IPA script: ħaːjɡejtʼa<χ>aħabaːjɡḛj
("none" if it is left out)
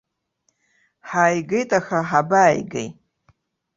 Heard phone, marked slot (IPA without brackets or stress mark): x